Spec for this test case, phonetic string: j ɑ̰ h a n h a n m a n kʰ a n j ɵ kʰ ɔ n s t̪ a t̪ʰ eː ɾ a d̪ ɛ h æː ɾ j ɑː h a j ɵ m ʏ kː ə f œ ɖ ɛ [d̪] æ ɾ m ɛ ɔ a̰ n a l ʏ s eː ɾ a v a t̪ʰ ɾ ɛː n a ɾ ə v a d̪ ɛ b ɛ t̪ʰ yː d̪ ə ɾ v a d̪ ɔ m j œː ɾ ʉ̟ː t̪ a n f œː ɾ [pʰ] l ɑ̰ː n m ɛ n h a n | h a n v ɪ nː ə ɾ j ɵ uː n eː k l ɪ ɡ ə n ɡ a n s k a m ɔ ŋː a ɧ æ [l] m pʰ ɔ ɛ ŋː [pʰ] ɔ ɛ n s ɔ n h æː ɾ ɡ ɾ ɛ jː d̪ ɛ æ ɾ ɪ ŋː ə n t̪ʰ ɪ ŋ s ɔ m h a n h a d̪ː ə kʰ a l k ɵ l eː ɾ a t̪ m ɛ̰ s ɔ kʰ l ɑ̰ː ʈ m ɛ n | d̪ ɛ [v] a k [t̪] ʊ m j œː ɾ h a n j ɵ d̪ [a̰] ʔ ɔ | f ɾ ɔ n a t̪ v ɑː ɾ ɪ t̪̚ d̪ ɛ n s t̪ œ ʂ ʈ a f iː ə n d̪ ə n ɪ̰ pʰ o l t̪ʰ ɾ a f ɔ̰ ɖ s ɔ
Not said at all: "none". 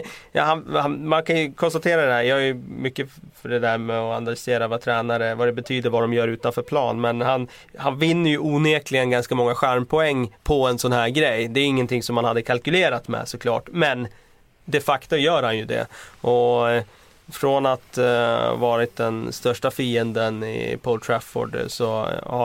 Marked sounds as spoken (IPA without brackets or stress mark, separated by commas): d̪, pʰ, ɾ, pʰ, f, t̪, ɛ̰